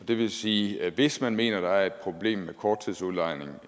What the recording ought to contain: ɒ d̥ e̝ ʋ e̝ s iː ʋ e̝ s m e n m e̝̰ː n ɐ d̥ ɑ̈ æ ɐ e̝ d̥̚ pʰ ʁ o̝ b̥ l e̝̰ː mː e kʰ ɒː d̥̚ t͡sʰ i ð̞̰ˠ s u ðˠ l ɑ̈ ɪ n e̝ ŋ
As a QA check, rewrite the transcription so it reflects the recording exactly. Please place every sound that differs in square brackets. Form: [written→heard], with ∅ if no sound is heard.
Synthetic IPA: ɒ d̥ e̝ ʋ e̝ s iː ʋ e̝ s m [e→æ] n m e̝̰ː n ɐ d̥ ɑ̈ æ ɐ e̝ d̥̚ pʰ ʁ o̝ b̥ l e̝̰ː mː e kʰ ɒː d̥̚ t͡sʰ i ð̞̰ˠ s u ðˠ l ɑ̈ ɪ n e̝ ŋ